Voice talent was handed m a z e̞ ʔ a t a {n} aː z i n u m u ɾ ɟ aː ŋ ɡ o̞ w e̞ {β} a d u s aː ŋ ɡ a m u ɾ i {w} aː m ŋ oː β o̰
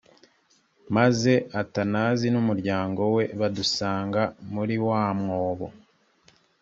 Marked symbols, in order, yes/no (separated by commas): yes, yes, yes